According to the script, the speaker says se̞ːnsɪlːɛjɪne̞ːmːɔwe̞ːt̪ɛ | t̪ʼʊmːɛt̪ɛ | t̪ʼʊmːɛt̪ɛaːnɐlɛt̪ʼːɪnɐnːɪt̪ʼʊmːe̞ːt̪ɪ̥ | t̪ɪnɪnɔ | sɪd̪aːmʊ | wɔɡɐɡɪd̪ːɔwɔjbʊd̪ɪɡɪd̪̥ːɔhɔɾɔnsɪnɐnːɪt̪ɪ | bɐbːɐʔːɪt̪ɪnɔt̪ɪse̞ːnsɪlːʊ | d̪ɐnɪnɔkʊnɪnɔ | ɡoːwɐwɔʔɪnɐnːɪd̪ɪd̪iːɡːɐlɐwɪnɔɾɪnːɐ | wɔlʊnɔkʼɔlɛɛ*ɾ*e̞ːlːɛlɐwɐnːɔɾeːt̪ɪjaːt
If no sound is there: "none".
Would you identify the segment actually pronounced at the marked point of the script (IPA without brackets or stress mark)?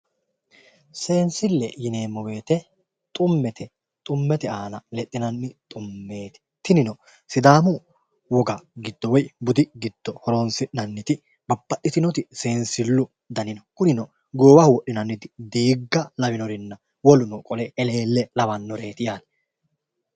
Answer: l